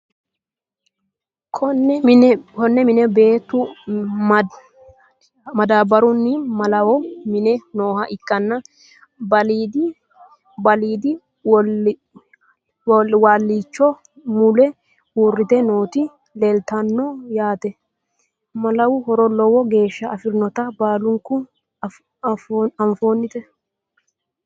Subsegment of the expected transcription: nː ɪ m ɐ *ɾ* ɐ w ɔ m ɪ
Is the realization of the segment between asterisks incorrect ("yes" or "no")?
yes